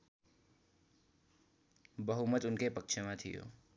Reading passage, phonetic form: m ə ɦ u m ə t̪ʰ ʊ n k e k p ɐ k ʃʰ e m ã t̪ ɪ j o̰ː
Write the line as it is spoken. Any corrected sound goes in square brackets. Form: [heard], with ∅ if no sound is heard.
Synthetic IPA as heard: [b] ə ɦ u m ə [t̪] ʊ n k e [∅] p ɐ k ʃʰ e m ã [t̪ʰ] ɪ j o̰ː